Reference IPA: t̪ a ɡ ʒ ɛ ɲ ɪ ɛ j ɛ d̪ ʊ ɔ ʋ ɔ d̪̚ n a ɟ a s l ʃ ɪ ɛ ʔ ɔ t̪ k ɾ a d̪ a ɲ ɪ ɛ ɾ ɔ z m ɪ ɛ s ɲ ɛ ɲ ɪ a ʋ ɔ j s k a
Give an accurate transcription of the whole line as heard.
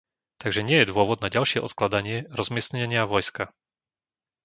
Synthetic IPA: t̪ a ɡ ʒ ɛ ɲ ɪ ɛ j ɛ d̪ ʊ ɔ ʋ ɔ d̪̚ n a ɟ a l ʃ ɪ ɛ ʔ ɔ t̪ k l a d̪ a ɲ ɪ ɛ ɾ ɔ z m ɪ ɛ s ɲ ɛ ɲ ɪ a ʋ ɔ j s k a